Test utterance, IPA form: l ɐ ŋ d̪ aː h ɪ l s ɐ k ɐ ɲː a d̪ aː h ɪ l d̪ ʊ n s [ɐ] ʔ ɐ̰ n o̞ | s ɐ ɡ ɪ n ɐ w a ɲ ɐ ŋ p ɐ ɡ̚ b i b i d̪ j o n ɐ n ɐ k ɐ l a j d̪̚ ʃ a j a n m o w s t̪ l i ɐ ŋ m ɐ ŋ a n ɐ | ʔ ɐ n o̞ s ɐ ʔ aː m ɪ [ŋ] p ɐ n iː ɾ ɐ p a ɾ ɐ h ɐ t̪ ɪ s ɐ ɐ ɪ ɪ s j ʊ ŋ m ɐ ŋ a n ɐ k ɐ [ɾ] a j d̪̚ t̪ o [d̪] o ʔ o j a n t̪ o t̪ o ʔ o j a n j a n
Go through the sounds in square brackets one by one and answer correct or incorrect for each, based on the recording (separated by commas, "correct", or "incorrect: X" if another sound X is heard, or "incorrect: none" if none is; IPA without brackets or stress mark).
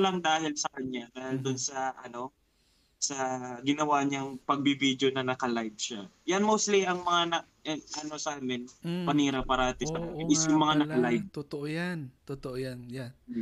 correct, incorrect: n, incorrect: l, incorrect: t̪